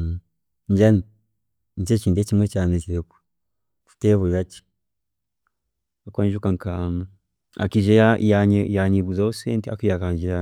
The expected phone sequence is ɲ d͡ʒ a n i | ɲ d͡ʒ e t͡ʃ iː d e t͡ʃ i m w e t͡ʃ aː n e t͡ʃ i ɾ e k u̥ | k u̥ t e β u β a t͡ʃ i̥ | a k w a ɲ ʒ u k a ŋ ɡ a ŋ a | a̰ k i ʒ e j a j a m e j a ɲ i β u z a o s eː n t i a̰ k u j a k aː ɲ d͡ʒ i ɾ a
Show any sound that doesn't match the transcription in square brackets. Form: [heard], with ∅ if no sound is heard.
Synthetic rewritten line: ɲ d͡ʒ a n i | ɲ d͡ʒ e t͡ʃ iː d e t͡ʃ i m w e t͡ʃ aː n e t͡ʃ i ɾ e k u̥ | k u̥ t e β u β a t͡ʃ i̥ | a k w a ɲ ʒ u k a ŋ [k] a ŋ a | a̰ k i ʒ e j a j a [ɲ] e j a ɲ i β u z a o s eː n t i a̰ k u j a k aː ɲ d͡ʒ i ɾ a

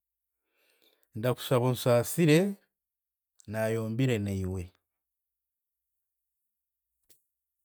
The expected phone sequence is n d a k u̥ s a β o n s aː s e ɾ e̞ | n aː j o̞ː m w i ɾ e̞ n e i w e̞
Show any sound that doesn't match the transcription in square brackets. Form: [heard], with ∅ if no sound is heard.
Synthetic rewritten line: n d a k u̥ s a β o n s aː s [i] ɾ e̞ | n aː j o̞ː m [b] i ɾ e̞ n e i w e̞

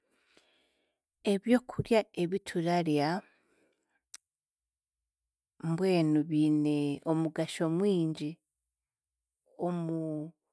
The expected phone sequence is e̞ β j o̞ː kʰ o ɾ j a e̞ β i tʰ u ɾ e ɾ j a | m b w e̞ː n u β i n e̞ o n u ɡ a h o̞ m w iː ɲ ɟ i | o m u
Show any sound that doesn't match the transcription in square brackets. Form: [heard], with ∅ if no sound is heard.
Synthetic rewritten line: e̞ β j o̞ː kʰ [u] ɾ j a e̞ β i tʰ u ɾ [a] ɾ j a | m b w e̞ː n u β i n e̞ o [m] u ɡ a [ʃ] o̞ m w iː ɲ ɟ i | o m u

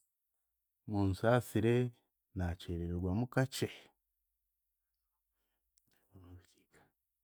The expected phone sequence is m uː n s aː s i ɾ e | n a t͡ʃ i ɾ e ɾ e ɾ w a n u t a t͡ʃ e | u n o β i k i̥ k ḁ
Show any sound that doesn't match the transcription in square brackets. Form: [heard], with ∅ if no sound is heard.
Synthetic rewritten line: m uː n s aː s i ɾ e | n a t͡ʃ [e] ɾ e ɾ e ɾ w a [m] u [k] a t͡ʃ e | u n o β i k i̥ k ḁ

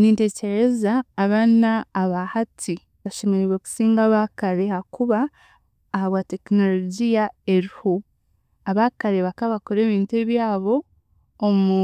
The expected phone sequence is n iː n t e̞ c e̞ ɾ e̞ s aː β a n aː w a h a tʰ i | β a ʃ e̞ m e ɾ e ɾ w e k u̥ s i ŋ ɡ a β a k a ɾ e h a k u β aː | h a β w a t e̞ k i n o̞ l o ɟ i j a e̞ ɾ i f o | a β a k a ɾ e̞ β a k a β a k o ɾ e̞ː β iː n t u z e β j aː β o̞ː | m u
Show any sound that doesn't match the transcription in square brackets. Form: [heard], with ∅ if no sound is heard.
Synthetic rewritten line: n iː n t e̞ c e̞ ɾ e̞ [z] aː β a n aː [β] a h a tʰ i | β a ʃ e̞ m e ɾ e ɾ w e k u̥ s [iː] ŋ ɡ a β a k a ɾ e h a k u β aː | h a β w a t e̞ k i n o̞ l o ɟ i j a e̞ ɾ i [h] o | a β a k a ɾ e̞ β a k a β a k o ɾ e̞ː β iː n t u [∅] e β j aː β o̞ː | m u

